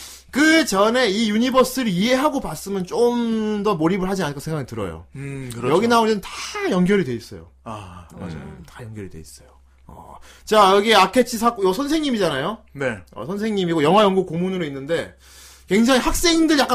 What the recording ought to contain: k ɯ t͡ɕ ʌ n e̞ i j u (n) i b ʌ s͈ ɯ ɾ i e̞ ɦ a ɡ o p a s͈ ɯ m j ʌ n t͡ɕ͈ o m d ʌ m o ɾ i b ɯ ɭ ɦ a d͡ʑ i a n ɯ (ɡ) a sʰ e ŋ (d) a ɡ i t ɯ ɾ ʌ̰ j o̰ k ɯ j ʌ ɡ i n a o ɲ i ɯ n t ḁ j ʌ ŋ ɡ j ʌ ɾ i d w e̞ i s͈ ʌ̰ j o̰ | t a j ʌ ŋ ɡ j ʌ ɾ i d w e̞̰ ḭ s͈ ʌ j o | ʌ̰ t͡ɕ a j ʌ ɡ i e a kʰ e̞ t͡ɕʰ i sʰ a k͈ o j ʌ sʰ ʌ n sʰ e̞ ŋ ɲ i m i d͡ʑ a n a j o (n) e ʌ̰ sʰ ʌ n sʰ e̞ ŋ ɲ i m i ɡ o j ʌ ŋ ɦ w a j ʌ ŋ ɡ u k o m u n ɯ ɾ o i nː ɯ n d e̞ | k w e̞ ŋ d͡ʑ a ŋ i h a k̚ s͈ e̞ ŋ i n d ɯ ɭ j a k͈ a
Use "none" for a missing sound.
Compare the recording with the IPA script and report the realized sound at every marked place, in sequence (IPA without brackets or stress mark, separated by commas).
ɲ, k, ɡ, n